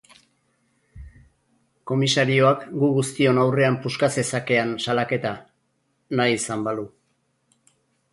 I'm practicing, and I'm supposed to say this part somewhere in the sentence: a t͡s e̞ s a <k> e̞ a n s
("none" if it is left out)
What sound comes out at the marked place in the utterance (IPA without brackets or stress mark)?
k